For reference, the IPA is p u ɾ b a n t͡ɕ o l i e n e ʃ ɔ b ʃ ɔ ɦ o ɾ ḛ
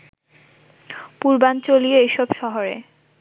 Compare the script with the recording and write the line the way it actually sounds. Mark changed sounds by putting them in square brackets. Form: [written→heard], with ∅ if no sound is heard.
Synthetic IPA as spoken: p u ɾ b a n t͡ɕ o l i e [n→∅] e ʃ ɔ b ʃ ɔ ɦ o ɾ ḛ